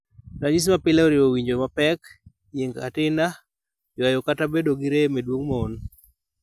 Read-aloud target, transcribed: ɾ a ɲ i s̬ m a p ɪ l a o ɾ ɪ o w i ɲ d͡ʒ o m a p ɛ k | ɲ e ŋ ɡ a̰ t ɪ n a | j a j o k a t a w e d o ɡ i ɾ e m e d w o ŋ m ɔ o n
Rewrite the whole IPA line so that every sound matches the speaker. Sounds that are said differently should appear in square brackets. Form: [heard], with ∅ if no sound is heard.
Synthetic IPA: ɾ a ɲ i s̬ m a p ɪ l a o ɾ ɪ o w i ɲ d͡ʒ o m a p ɛ k | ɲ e ŋ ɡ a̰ t ɪ n a | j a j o k a t a [b] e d o ɡ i ɾ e m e d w o ŋ m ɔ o n